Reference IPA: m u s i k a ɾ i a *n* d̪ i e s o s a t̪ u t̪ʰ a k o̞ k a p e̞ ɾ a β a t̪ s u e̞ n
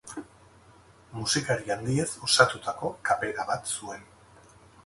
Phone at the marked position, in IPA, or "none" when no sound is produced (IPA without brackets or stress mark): n